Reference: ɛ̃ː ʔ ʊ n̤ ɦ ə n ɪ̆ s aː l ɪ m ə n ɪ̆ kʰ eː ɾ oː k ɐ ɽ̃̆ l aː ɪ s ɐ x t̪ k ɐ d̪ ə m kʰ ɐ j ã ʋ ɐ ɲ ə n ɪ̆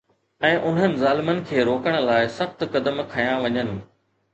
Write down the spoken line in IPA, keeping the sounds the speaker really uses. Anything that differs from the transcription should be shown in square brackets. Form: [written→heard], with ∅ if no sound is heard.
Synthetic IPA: ɛ̃ː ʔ ʊ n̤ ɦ ə n ɪ̆ [s→z] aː l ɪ m ə n ɪ̆ kʰ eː ɾ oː k [ɐ→ə] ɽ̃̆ l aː ɪ s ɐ x t̪ k ɐ d̪ ə m kʰ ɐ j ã ʋ ɐ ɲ ə n ɪ̆